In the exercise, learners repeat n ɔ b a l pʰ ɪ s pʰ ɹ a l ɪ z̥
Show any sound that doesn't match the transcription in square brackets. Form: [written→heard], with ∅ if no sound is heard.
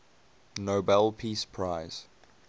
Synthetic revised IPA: n [ɔ→o] b [a→ɛ] l pʰ [ɪ→i] s pʰ ɹ a [l→∅] ɪ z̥